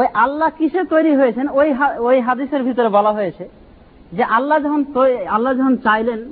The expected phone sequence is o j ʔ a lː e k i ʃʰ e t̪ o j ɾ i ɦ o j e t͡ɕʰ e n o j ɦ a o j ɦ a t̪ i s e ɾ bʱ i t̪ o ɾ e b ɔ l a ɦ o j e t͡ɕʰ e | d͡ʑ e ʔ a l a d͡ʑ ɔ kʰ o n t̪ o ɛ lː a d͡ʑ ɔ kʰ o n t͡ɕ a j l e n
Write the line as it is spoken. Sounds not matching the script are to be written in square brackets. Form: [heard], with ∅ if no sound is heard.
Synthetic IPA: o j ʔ a lː [a] k i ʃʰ e t̪ o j ɾ i ɦ o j e t͡ɕʰ e n o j ɦ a o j ɦ a [d̪] i s e ɾ bʱ i t̪ o ɾ e b ɔ l a ɦ o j e t͡ɕʰ e | d͡ʑ e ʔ a [lː] a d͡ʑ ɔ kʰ o n t̪ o [a] lː a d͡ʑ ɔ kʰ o n t͡ɕ a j l e n